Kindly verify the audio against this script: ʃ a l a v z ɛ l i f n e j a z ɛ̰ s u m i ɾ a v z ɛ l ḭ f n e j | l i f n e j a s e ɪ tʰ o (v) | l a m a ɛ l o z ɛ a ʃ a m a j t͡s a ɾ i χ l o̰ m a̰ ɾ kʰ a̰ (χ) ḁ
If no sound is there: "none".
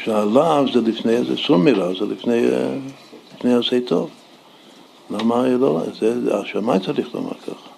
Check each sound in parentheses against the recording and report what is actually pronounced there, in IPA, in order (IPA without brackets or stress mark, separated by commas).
v, χ